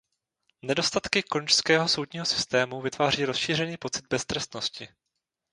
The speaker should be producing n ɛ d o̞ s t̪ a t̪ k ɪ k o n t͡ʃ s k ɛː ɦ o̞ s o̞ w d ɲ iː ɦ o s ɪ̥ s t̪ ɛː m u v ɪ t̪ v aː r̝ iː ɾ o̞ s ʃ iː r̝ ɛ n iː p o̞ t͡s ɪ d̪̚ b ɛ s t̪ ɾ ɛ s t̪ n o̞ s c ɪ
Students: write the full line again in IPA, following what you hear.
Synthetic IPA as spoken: n ɛ d o̞ s t̪ a t̪ k ɪ k o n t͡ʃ s k ɛː ɦ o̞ s o̞ w d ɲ iː ɦ o s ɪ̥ s t̪ ɛː m u v ɪ t̪ v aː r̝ iː ɾ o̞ s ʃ iː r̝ ɛ n iː p o̞ t͡s ɪ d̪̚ b ɛ s t̪ ɾ ɛ s t̪ n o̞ s c ɪ